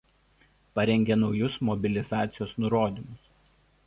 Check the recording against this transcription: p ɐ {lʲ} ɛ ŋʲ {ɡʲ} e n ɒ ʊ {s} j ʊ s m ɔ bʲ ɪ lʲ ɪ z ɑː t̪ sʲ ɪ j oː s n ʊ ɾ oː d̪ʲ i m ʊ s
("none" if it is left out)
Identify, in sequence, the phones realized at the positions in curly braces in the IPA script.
ɾʲ, ɡʲ, none

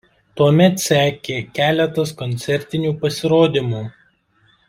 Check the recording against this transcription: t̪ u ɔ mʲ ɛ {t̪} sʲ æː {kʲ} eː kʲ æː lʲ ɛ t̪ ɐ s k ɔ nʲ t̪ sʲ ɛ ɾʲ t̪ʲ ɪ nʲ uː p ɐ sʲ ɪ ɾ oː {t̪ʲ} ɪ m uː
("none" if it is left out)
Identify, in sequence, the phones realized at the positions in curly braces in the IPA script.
t̪, kʲ, d̪ʲ

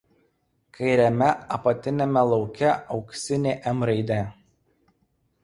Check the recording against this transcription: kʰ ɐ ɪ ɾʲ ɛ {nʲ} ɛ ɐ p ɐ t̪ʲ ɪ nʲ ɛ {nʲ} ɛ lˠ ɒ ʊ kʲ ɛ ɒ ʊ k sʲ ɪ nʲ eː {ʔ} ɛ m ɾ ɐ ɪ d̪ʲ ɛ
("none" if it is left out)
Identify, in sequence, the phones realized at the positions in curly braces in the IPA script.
mʲ, mʲ, ʔ

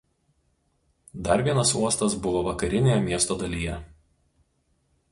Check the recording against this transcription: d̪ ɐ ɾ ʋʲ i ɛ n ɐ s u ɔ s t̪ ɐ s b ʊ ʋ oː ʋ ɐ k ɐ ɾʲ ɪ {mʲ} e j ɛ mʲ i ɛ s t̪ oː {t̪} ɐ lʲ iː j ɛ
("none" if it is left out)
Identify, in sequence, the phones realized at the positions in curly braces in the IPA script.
nʲ, d̪

